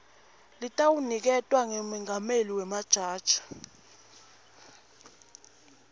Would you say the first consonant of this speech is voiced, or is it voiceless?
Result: voiced